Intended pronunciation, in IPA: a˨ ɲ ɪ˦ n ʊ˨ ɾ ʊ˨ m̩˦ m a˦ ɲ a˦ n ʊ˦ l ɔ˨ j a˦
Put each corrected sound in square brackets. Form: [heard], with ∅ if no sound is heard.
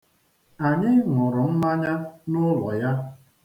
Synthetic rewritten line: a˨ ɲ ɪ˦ [ŋ] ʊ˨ ɾ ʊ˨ m̩˦ m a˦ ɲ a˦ n ʊ˦ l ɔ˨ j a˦